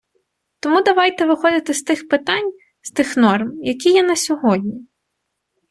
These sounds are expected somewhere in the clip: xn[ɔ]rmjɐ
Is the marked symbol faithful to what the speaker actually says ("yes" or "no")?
yes